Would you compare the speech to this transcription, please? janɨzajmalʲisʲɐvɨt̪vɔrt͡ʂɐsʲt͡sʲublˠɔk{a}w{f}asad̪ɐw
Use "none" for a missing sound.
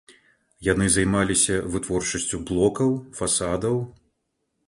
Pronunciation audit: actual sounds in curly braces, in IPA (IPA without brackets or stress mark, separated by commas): ɐ, f